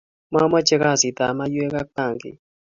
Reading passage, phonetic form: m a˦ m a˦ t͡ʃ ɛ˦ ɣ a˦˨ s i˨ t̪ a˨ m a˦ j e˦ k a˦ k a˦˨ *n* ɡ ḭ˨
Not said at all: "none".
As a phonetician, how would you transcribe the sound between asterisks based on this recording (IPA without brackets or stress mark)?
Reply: ŋ